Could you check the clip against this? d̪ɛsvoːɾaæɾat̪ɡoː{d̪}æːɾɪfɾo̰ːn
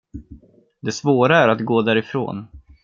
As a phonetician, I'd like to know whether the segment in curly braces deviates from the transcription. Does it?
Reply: no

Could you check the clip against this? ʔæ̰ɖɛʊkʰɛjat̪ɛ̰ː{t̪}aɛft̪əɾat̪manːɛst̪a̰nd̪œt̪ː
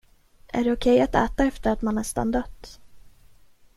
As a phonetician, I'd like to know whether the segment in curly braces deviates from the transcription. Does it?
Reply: no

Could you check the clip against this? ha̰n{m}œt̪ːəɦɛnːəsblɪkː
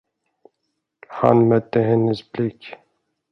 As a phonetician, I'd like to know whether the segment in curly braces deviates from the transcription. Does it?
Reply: no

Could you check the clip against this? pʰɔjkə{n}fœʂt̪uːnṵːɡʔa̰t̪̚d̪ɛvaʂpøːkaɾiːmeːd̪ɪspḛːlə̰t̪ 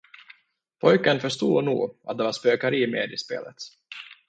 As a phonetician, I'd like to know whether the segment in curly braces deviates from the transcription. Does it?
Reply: no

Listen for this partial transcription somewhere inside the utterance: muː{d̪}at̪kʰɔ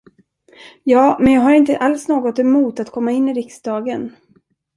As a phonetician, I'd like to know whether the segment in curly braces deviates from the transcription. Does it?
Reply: yes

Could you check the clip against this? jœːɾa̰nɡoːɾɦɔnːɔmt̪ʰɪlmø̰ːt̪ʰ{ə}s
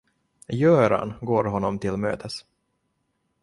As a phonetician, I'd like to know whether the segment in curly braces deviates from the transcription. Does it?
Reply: no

